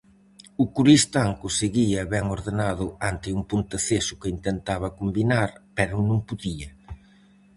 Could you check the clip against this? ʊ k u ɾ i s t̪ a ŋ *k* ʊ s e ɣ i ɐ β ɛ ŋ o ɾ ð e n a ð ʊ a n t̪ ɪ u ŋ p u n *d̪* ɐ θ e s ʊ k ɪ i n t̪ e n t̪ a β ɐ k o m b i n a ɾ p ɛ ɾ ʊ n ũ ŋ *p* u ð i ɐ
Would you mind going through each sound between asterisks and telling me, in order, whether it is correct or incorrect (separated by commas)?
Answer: correct, incorrect, correct